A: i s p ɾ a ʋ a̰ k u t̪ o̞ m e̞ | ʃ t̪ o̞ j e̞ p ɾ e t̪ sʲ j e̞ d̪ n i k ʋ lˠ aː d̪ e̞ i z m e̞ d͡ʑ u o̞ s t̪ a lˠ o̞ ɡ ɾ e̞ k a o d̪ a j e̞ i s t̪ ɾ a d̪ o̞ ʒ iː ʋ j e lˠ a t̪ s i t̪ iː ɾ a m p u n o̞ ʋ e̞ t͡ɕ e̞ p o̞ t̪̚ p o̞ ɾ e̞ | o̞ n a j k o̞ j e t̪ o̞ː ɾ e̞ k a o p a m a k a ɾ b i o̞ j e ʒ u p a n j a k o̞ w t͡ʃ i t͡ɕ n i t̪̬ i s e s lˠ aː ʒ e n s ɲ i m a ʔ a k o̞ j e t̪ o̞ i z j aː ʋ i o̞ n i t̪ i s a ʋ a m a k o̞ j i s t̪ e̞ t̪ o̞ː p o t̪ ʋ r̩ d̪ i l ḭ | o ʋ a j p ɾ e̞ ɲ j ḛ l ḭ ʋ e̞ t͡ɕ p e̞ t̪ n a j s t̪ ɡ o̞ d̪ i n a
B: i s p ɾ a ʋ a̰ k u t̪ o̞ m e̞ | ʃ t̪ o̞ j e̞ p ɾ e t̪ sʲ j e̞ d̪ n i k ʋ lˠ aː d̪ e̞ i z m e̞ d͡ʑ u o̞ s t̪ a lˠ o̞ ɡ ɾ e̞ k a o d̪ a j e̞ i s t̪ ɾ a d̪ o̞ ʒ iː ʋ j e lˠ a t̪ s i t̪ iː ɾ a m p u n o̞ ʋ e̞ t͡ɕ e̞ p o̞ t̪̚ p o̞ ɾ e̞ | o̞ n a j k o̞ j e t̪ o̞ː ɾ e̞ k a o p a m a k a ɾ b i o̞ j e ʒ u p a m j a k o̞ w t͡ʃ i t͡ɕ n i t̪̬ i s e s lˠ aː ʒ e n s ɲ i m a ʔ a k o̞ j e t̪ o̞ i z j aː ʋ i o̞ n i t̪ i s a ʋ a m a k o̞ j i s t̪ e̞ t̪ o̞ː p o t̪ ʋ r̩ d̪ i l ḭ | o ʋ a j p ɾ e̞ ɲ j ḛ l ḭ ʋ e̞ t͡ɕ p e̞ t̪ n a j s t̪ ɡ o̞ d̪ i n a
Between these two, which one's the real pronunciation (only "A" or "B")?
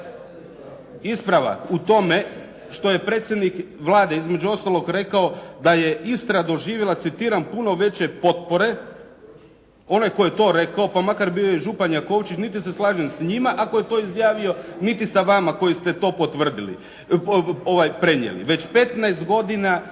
A